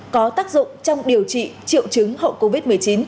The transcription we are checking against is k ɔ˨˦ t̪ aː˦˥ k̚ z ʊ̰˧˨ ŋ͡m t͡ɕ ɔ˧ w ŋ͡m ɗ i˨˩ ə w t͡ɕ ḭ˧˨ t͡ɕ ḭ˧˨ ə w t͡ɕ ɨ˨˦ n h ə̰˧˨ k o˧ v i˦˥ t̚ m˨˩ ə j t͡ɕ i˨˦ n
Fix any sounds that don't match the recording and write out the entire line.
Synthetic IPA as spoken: k ɔ˨˦ t̪ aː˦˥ k̚ z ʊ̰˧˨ ŋ͡m t͡ɕ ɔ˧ w ŋ͡m ɗ i˨˩ ə w t͡ɕ ḭ˧˨ t͡ɕ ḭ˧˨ ə w t͡ɕ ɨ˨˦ ŋ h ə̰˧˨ k o˧ v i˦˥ t̚ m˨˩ ə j t͡ɕ i˨˦ n